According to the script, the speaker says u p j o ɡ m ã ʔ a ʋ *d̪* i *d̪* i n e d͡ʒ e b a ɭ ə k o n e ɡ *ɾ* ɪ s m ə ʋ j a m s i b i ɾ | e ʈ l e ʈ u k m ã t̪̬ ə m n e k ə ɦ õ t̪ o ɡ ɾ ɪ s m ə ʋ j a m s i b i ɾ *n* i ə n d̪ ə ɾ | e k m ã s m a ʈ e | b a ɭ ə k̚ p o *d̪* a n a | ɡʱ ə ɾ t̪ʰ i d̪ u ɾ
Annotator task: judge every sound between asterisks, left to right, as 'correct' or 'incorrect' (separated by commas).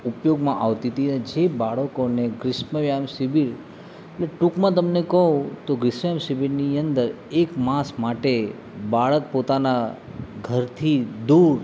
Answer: incorrect, incorrect, correct, correct, incorrect